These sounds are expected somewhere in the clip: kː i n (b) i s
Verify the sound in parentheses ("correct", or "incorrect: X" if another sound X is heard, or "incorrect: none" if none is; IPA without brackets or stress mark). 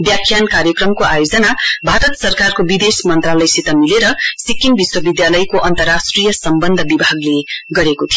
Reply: correct